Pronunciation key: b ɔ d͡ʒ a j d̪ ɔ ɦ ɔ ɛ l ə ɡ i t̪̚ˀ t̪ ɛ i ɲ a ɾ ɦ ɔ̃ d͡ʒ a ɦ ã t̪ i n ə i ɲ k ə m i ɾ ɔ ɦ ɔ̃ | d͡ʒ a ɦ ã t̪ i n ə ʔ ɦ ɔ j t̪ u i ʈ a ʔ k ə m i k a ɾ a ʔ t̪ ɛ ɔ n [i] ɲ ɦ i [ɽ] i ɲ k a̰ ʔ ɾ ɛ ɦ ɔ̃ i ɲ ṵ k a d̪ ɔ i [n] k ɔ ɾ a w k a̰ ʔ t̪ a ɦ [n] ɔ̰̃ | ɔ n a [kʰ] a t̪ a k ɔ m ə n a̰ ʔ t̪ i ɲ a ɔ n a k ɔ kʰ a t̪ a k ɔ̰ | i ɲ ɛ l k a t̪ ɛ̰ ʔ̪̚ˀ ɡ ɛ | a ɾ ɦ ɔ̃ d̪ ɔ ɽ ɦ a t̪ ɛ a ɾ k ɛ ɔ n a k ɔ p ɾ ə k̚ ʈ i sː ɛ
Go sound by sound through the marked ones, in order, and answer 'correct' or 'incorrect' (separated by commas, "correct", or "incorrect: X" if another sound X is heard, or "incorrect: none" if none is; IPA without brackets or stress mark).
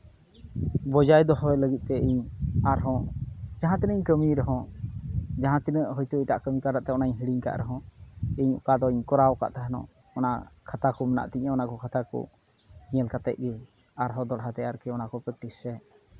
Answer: incorrect: a, correct, incorrect: ɲ, correct, correct